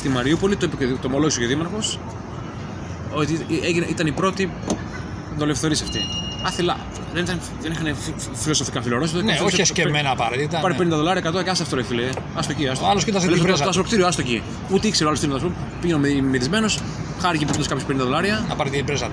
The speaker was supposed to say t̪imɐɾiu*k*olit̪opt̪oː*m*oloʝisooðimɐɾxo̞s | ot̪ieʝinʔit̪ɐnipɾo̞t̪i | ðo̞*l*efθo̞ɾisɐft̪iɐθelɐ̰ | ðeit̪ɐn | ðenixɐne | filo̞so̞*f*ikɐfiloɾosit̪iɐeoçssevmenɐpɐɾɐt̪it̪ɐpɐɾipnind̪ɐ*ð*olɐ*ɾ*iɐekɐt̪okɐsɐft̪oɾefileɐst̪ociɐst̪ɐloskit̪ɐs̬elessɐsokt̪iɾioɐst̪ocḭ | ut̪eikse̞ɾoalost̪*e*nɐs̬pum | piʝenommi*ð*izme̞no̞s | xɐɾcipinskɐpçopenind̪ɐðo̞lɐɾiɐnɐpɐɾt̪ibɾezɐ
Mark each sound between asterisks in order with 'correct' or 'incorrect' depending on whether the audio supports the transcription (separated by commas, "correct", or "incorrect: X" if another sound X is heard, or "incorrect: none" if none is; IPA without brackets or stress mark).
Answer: incorrect: p, correct, correct, correct, correct, correct, incorrect: i, correct